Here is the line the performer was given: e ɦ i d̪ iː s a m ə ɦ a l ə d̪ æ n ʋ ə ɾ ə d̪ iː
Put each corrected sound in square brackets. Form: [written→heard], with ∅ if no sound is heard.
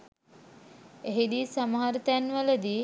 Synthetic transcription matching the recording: e ɦ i d̪ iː s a m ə ɦ a [l→ɾ] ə [d̪→t̪] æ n ʋ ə [ɾ→l] ə d̪ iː